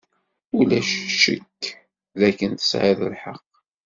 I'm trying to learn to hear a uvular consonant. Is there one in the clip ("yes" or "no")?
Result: yes